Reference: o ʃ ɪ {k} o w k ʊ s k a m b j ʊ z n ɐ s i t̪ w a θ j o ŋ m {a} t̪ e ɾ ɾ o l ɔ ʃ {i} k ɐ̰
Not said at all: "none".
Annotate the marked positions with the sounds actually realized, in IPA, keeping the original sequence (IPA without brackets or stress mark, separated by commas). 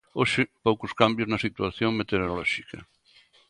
p, e, i